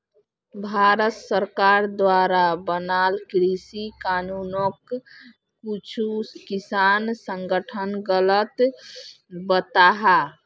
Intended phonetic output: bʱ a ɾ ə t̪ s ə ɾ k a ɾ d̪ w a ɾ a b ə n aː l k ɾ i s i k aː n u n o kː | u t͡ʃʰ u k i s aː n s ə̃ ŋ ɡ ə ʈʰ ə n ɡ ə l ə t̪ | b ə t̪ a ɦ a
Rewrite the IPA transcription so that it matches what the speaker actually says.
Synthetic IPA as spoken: bʱ a ɾ ə t̪ s ə ɾ k a ɾ d̪ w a ɾ a b ə n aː l k ɾ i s i k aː n u n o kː | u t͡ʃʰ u k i s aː n s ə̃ ŋ ɡ ə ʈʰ ə n ɡ ə l ə t̪ | b ə t̪ a ɦ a